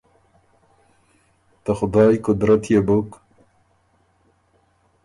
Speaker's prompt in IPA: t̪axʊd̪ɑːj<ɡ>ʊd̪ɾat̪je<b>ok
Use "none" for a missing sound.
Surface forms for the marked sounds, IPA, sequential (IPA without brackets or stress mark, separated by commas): k, b